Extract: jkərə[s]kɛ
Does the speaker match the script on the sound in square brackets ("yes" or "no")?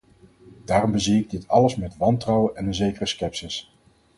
yes